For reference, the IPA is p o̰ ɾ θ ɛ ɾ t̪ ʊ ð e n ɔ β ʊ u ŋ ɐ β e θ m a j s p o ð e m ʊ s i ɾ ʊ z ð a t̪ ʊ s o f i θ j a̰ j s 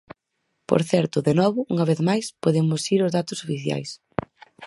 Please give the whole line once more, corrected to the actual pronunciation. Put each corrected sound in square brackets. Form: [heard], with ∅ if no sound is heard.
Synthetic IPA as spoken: p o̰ ɾ θ ɛ ɾ t̪ ʊ ð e n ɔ β ʊ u ŋ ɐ β e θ m a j s p o ð e m ʊ s i ɾ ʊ z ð a t̪ ʊ s o f i θ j a̰ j s